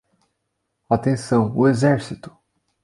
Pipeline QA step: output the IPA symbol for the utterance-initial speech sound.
a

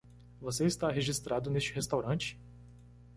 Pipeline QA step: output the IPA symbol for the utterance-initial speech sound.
v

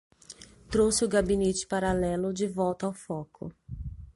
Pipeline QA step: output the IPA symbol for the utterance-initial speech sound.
t̪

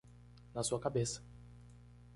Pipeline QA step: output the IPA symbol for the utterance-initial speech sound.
n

